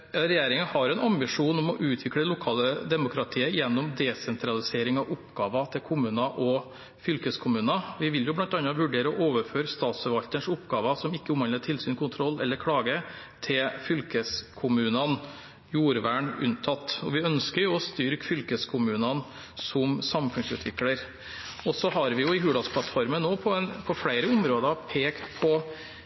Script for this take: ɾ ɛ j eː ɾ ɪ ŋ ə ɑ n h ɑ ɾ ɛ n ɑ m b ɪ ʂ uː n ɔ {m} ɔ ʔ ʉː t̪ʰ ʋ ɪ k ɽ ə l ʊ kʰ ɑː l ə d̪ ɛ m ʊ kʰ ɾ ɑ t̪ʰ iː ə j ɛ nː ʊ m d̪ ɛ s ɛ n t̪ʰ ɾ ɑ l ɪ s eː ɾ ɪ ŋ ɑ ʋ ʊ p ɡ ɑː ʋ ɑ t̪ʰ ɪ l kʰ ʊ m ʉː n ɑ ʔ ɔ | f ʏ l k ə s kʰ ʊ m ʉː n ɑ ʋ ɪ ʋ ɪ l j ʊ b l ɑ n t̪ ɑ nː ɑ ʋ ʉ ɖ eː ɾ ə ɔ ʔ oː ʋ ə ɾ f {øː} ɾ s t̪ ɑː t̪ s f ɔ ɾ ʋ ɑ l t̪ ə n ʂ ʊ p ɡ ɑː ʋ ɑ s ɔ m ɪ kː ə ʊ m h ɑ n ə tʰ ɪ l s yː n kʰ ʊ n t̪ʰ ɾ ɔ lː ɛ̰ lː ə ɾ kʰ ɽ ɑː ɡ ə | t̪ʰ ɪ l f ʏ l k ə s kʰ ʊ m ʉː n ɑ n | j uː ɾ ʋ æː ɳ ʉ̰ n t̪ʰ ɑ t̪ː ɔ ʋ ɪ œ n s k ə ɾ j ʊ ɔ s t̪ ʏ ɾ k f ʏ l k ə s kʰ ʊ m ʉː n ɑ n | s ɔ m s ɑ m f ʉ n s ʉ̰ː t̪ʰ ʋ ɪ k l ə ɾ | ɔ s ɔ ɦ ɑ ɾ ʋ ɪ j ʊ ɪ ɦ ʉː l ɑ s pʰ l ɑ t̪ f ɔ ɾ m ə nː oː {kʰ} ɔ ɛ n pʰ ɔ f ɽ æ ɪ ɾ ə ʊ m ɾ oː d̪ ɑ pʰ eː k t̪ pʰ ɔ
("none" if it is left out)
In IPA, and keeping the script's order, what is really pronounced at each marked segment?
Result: m, øː, pʰ

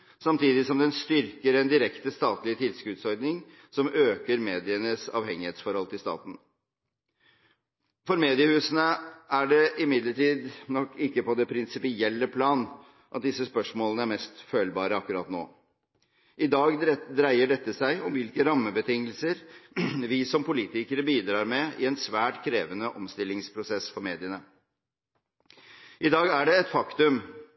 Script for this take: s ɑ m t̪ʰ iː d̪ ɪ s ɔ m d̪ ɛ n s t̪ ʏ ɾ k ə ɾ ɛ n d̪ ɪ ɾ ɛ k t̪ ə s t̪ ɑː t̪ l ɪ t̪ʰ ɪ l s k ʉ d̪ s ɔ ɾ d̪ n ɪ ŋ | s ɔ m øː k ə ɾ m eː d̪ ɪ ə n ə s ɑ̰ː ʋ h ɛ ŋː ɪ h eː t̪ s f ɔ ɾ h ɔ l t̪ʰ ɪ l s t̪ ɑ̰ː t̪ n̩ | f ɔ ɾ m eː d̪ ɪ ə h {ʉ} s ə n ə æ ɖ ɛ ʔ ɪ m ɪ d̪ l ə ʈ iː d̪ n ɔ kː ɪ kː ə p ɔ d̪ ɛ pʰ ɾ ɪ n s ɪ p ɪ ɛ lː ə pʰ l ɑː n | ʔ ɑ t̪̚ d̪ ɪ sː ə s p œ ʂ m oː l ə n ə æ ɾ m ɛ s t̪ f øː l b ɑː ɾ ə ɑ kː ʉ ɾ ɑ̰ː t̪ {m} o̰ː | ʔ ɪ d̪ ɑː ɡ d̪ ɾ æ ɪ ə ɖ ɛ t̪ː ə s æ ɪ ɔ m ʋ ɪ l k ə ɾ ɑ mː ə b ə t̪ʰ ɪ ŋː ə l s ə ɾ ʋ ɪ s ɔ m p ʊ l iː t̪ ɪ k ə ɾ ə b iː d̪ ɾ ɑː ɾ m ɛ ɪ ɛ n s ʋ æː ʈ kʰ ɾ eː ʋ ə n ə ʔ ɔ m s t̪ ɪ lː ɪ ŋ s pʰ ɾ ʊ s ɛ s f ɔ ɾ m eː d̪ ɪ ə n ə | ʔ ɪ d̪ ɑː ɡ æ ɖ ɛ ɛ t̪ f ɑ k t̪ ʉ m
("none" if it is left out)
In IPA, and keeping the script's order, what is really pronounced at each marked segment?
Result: ʉː, n

